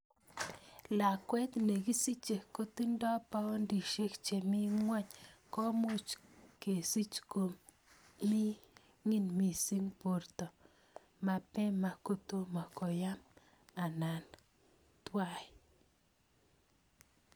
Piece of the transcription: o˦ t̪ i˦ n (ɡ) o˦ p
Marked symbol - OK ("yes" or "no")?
no